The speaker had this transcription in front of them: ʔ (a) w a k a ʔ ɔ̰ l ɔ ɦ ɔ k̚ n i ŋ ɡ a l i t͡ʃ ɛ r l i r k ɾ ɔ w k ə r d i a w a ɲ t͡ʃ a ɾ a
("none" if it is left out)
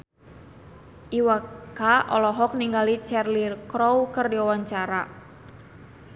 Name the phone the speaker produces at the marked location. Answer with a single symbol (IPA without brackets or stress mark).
i